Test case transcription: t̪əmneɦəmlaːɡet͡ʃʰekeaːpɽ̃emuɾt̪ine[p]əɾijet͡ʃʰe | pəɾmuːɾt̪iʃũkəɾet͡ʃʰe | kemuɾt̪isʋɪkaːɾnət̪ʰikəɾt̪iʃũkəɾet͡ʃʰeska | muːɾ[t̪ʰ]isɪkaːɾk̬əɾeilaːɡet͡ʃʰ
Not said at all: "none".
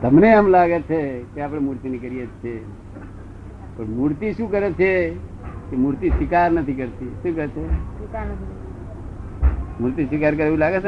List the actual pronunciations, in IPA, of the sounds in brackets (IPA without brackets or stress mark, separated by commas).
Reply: k, t̪